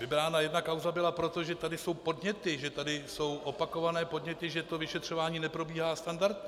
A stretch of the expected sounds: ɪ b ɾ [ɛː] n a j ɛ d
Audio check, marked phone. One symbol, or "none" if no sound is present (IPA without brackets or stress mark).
aː